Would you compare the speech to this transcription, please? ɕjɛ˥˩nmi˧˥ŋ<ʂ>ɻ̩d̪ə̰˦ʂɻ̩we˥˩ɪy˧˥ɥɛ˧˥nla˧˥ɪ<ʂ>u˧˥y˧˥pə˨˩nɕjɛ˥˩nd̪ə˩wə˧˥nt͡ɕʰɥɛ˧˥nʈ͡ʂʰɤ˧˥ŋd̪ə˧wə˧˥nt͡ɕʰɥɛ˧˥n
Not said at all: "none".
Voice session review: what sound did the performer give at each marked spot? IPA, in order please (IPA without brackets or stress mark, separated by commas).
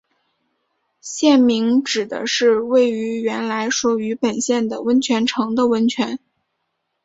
ʈ͡ʂ, ʂ